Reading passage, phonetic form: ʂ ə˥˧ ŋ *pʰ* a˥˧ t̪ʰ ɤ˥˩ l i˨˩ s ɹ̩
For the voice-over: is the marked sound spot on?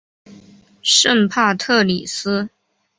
yes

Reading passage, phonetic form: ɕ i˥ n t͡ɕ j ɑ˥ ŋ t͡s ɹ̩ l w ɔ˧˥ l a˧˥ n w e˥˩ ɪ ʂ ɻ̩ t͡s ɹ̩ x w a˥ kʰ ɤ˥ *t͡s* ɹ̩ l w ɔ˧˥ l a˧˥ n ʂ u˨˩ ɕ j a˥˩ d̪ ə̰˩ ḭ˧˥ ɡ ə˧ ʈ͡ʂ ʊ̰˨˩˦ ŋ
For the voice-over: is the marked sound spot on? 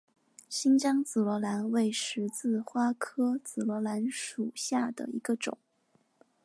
yes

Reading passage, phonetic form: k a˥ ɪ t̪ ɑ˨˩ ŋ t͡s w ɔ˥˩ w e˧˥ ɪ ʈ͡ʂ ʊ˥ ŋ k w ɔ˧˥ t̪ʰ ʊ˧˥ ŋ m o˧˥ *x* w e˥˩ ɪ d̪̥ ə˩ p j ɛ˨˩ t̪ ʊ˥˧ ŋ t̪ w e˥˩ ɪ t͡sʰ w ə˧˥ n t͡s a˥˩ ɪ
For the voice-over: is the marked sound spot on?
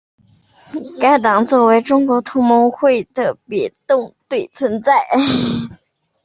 yes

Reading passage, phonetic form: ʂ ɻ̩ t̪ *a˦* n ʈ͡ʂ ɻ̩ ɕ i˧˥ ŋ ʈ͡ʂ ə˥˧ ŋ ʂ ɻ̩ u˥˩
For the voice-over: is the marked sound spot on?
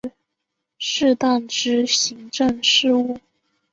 no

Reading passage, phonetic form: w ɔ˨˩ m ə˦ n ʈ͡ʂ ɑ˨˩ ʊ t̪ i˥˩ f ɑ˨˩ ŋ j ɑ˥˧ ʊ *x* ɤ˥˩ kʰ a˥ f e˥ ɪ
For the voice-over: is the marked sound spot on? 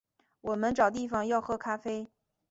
yes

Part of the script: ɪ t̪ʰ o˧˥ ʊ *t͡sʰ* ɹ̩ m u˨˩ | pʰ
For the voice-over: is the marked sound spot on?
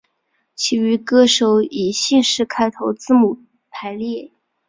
no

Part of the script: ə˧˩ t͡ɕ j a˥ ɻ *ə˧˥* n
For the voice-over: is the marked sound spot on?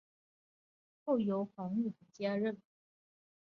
no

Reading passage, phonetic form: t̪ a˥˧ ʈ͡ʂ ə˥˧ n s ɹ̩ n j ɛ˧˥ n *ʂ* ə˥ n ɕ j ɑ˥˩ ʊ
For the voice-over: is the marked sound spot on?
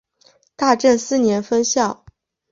no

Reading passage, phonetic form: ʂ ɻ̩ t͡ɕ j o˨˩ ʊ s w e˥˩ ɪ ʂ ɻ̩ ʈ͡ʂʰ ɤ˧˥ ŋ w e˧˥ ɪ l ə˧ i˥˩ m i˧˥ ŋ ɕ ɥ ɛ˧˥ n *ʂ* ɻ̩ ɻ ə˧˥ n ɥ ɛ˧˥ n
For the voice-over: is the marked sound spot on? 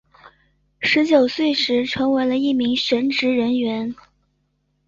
no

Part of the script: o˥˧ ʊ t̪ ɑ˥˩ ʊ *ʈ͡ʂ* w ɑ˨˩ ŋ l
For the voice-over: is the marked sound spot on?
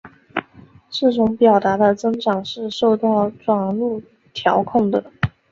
yes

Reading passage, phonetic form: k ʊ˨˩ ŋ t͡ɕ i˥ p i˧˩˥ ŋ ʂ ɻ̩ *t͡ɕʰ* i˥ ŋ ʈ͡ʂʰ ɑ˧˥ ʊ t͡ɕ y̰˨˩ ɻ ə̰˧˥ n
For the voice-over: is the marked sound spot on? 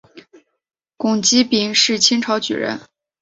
yes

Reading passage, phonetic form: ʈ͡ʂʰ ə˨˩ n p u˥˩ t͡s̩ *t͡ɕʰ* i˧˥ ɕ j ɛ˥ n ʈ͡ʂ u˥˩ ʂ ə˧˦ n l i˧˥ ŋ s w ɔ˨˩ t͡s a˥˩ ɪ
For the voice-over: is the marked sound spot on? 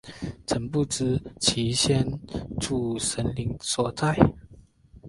yes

